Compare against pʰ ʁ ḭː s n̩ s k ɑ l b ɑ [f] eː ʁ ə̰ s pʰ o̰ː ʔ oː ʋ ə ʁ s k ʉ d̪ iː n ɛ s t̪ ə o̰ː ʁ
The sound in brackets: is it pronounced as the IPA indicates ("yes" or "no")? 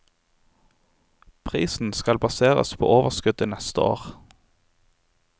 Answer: no